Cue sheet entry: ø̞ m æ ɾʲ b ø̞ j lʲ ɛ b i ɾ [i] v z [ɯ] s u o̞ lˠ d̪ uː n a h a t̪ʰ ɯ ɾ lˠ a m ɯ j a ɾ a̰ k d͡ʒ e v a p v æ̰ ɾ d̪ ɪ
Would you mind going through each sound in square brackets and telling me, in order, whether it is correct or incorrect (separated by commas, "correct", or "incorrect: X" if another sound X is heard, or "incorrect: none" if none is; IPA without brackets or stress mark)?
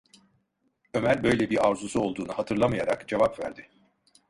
incorrect: a, incorrect: u